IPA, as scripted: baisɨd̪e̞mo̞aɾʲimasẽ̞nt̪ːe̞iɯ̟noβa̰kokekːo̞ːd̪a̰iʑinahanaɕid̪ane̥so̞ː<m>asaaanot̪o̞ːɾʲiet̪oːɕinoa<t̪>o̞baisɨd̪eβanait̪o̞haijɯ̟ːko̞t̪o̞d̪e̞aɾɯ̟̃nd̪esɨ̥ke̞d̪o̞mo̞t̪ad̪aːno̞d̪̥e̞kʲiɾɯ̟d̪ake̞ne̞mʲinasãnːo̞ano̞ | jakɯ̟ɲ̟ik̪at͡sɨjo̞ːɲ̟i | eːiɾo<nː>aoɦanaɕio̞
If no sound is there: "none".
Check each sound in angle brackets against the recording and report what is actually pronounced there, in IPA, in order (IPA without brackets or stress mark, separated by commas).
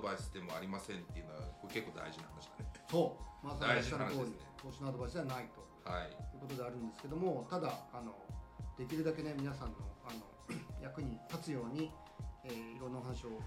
m, d̪, nː